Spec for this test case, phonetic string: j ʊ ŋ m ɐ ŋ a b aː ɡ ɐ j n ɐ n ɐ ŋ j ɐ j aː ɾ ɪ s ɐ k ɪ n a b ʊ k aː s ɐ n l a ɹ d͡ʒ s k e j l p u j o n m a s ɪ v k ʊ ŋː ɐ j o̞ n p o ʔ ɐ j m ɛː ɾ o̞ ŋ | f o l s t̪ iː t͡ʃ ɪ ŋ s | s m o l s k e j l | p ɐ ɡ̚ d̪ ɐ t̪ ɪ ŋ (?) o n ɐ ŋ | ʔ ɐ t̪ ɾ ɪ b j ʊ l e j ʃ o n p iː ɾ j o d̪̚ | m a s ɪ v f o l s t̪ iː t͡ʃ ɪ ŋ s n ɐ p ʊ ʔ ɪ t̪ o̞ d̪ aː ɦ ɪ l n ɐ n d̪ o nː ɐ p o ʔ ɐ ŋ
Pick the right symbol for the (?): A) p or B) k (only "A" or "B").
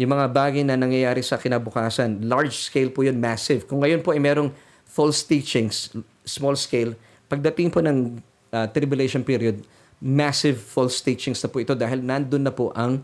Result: A